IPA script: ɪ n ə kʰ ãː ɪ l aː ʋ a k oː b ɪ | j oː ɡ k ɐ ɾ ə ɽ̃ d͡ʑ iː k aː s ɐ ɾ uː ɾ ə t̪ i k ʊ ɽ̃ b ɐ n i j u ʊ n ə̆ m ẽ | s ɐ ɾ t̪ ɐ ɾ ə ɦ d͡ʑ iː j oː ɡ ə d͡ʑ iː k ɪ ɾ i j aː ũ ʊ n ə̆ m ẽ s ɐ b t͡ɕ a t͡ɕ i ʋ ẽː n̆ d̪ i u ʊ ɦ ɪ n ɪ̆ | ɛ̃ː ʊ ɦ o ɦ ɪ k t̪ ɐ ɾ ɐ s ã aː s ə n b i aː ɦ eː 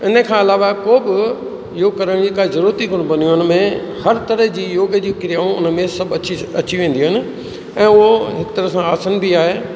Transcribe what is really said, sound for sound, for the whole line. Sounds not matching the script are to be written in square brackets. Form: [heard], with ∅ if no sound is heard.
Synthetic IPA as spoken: ɪ n ə kʰ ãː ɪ l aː ʋ a k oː b ɪ | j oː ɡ k ɐ ɾ ə ɽ̃ d͡ʑ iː k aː [z] ɐ ɾ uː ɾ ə t̪ i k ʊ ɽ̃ b ɐ n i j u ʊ n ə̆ m ẽ | [h] ɐ ɾ t̪ ɐ ɾ ə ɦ d͡ʑ iː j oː ɡ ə d͡ʑ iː k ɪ ɾ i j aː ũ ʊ n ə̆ m ẽ s ɐ b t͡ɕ [ɐ] t͡ɕ i ʋ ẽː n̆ d̪ i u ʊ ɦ ɪ n ɪ̆ | ɛ̃ː ʊ ɦ o ɦ ɪ k t̪ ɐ ɾ [ə] s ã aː s ə n b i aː ɦ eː